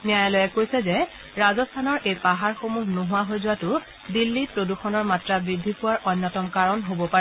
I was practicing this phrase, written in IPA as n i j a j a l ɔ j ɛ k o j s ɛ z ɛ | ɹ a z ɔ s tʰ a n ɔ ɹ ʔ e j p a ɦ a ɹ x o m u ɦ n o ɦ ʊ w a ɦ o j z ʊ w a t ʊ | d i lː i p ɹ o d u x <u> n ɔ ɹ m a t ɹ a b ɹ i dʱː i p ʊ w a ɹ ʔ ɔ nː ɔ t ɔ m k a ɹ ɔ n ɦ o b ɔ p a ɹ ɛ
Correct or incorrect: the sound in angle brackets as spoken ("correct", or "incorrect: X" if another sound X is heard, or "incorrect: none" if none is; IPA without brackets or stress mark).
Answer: incorrect: ɔ